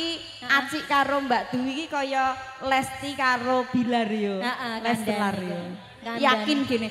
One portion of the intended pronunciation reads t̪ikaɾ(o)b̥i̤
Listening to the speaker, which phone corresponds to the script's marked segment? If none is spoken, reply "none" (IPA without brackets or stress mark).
o